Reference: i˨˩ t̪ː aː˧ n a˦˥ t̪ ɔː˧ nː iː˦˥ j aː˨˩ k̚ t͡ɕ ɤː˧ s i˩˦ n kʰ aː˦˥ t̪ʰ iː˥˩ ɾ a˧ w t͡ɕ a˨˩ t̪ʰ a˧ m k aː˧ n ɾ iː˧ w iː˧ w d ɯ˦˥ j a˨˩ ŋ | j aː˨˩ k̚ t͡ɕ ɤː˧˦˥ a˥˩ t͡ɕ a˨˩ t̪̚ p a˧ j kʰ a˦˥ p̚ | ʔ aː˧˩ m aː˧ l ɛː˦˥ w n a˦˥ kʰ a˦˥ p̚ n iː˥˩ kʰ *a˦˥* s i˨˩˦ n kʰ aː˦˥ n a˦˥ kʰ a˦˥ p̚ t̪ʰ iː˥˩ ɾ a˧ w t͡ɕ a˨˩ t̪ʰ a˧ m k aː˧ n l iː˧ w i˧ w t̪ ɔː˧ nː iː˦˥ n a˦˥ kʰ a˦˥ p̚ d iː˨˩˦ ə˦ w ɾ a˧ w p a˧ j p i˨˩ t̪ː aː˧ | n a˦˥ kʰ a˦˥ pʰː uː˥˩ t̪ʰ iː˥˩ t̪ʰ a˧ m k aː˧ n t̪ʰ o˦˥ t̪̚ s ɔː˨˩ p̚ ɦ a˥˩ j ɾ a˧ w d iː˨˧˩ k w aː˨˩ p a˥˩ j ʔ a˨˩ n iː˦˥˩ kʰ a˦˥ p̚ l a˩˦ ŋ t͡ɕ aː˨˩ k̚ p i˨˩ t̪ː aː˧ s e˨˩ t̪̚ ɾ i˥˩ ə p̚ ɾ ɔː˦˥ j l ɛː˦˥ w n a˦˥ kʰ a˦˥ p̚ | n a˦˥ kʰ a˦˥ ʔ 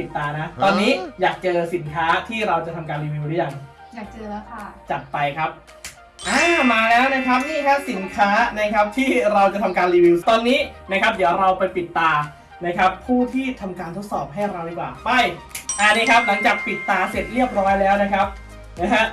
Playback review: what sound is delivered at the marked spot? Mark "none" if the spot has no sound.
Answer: a˦˥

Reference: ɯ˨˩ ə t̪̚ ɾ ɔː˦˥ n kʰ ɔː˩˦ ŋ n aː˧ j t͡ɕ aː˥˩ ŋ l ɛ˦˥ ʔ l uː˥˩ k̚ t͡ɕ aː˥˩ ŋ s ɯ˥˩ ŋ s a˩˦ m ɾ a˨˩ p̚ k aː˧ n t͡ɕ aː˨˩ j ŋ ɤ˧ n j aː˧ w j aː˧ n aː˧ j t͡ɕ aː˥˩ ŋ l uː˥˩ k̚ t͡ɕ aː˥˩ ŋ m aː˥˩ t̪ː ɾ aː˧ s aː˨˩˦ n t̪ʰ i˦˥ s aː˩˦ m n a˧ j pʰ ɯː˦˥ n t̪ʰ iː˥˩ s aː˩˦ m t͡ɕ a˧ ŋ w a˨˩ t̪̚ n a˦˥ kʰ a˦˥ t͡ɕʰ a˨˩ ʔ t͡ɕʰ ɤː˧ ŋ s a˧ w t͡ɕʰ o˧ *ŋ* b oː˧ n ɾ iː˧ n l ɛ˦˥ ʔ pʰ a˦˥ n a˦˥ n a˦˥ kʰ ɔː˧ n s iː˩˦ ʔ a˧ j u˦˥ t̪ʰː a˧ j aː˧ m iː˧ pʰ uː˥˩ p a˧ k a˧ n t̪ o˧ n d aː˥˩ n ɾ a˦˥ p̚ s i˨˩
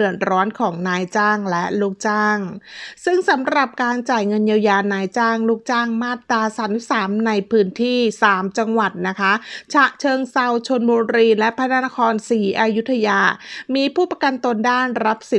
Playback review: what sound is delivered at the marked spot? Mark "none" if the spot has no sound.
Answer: n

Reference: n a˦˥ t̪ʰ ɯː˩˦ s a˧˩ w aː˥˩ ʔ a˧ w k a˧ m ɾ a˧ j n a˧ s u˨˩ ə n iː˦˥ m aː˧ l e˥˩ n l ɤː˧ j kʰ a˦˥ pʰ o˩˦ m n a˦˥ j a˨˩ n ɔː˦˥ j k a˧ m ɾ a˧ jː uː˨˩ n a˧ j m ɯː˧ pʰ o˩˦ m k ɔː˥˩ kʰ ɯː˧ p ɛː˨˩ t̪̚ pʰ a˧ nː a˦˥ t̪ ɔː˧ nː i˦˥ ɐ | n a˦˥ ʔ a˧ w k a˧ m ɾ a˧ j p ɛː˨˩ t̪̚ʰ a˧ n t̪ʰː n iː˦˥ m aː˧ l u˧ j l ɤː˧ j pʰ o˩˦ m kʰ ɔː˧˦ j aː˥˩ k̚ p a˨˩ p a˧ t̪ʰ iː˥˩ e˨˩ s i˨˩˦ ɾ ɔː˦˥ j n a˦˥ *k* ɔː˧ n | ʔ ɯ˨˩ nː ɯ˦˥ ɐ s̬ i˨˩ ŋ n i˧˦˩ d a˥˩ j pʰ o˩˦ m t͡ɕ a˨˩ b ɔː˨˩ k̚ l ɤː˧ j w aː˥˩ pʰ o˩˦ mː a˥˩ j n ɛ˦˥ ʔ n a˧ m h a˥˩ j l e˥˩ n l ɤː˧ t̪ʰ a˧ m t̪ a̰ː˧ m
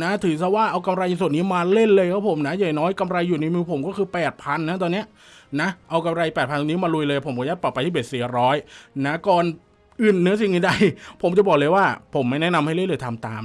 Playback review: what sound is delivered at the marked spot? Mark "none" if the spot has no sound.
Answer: k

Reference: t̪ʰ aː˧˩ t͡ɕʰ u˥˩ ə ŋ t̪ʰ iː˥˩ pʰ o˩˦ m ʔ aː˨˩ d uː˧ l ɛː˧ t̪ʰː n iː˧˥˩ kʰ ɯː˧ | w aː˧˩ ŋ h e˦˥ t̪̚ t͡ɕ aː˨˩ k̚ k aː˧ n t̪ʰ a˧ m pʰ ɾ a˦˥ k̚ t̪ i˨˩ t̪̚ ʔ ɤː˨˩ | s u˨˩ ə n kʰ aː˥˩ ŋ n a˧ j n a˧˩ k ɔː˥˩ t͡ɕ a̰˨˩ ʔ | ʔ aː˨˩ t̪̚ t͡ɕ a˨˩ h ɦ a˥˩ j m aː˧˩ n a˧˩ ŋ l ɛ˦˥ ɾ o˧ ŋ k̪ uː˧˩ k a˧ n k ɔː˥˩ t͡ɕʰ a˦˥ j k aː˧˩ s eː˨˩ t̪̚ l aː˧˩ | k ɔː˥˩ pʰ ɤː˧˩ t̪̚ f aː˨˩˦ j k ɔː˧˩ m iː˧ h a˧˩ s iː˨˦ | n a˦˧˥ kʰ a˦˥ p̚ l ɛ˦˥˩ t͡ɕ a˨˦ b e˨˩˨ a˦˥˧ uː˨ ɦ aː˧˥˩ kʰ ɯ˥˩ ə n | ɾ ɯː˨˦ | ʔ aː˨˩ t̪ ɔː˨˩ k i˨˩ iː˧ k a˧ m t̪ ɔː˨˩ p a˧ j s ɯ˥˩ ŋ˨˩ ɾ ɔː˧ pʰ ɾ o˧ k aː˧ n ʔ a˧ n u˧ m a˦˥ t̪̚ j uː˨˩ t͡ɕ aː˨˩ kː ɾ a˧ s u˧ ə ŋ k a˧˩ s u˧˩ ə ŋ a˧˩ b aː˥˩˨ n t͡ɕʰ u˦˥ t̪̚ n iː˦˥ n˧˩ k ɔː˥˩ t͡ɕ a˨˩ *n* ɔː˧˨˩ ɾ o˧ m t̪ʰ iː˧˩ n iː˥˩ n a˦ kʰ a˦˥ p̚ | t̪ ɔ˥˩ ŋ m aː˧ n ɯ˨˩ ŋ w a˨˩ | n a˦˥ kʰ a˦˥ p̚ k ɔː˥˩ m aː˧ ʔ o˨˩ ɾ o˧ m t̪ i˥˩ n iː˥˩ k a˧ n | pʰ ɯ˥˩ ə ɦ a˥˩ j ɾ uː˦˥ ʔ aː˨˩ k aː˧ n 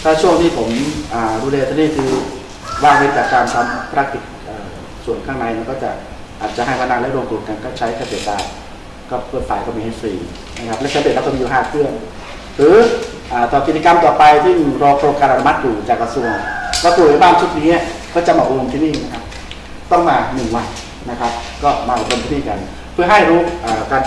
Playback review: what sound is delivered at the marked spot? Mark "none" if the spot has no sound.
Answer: m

